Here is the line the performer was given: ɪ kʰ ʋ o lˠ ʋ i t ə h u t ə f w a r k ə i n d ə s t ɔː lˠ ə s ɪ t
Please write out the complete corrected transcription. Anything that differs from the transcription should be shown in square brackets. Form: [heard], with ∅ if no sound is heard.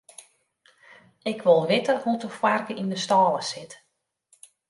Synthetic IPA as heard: ɪ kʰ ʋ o lˠ ʋ [ɪ] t ə h u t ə f w a r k ə i n d ə s t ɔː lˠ ə s ɪ t